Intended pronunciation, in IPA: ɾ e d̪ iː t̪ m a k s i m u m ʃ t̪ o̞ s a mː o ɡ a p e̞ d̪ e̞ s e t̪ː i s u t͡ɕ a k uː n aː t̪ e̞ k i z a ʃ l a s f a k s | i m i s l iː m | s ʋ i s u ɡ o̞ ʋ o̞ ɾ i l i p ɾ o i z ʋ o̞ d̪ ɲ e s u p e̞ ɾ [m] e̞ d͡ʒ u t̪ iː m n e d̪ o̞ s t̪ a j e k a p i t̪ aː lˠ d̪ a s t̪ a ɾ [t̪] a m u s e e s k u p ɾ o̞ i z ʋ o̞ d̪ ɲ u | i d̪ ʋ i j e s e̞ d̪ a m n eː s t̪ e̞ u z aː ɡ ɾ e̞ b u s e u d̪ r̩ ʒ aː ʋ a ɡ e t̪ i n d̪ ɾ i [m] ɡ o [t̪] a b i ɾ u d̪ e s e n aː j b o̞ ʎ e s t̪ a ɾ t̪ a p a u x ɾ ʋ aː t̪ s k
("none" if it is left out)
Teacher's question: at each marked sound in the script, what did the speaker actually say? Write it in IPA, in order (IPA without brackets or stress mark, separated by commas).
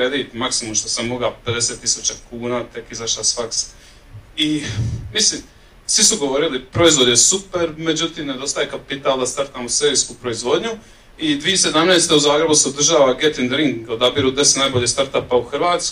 m, t̪, ŋ, d̪